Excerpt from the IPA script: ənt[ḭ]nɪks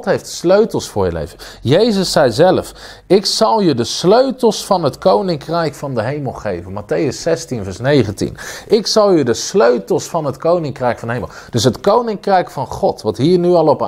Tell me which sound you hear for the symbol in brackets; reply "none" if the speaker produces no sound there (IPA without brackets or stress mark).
ḭ